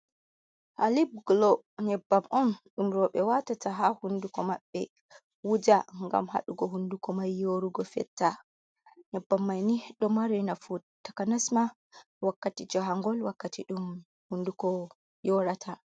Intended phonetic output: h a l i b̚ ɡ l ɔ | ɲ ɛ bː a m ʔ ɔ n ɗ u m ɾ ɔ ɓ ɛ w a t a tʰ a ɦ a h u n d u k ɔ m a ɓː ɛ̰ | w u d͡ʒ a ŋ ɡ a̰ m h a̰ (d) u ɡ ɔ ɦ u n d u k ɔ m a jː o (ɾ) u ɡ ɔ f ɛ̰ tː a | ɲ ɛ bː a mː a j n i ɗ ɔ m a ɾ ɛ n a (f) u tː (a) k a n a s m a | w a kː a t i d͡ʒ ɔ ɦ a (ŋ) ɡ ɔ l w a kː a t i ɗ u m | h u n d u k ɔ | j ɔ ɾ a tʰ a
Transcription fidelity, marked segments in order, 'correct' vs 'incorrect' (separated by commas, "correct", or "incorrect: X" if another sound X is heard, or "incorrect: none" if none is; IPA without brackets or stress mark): incorrect: ɗ, correct, correct, correct, correct